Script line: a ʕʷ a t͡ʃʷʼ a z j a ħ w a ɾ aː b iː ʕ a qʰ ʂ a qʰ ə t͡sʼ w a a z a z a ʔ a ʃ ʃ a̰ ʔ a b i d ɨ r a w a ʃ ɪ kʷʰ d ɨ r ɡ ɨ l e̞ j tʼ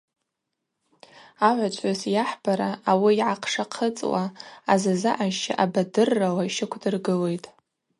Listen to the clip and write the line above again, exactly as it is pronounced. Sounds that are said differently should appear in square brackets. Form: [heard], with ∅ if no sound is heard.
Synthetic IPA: a ʕʷ a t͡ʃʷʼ a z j a ħ [b] a ɾ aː [w] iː ʕ a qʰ ʂ a qʰ ə t͡sʼ w a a z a z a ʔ a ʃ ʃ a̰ ʔ a b [a] d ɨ [rː] a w a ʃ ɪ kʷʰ d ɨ r ɡ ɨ l e̞ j tʼ